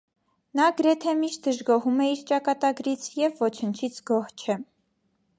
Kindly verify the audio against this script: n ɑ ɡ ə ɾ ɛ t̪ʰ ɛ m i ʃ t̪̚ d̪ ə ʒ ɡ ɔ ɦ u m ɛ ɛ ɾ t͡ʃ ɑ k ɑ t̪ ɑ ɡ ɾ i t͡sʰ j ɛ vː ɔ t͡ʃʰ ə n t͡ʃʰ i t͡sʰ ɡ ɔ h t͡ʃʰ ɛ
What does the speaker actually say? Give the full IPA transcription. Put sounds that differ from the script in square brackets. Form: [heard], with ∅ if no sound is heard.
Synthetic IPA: n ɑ ɡ ə ɾ ɛ t̪ʰ ɛ m i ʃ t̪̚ d̪ ə ʒ ɡ ɔ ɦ u m ɛ [i] ɾ t͡ʃ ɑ k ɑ t̪ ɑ ɡ ɾ i t͡sʰ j ɛ vː ɔ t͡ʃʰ ə n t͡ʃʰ i t͡sʰ ɡ ɔ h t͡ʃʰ ɛ

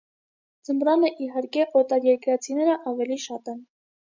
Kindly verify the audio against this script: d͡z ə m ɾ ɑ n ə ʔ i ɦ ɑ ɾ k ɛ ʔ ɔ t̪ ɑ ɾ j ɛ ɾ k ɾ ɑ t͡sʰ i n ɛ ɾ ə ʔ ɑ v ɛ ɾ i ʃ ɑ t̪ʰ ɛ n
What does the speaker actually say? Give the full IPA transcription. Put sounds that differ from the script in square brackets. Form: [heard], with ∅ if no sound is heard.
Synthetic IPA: d͡z ə m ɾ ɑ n ə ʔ i ɦ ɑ ɾ k ɛ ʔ ɔ t̪ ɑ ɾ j ɛ ɾ k ɾ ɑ t͡sʰ i n ɛ ɾ ə ʔ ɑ v ɛ [l] i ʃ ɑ [t̪] ɛ n

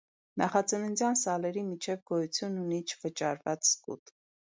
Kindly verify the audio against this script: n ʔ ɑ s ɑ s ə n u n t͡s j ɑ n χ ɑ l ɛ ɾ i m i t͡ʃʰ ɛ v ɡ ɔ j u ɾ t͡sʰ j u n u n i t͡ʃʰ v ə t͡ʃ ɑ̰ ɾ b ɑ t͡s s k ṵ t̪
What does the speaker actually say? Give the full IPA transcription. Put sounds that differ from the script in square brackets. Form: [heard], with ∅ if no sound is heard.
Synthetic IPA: n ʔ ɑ [χ] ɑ [t͡s] ə n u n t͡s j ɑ n [s] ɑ l ɛ ɾ i m i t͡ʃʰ ɛ v ɡ ɔ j u [∅] t͡sʰ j u n u n i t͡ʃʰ v ə t͡ʃ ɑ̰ ɾ [v] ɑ t͡s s k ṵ t̪

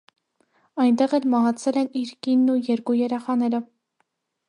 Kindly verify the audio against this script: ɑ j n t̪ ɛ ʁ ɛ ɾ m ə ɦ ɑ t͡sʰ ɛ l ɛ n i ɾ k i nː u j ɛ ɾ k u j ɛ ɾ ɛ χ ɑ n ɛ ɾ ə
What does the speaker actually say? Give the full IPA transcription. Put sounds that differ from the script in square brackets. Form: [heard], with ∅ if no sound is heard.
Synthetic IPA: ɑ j n t̪ ɛ ʁ ɛ [l] m [ɑ] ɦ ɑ t͡sʰ ɛ l ɛ n i ɾ k i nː u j ɛ ɾ k u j ɛ ɾ ɛ χ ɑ n ɛ ɾ ə

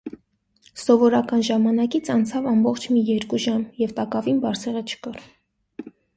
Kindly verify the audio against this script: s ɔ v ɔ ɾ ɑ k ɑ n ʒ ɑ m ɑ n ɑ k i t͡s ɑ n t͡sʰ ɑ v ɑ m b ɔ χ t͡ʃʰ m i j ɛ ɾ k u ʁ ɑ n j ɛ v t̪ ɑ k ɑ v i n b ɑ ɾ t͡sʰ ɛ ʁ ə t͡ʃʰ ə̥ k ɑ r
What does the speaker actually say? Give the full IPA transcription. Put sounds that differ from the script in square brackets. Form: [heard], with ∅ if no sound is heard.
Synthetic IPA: s ɔ v ɔ ɾ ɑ k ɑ n ʒ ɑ m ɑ n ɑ k i [t͡sʰ] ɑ n t͡sʰ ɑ v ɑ m b ɔ χ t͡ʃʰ m i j ɛ ɾ k u [ʒ] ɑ [m] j ɛ v t̪ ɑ k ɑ v i n b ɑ ɾ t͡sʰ ɛ ʁ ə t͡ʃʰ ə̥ k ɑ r

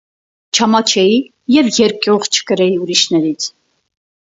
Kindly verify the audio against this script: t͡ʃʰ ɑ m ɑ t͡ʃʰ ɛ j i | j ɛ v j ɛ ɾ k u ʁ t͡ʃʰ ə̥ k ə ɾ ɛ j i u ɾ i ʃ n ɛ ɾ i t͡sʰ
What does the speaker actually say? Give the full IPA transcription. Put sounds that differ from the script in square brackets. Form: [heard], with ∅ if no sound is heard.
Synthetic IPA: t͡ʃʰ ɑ m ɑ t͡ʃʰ ɛ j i | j ɛ v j ɛ ɾ k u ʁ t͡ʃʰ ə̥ k ə ɾ ɛ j i u ɾ i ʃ n ɛ ɾ i t͡sʰ

